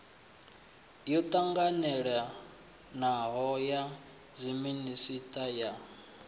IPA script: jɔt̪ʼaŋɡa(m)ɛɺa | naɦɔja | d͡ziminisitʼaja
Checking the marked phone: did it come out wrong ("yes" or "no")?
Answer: yes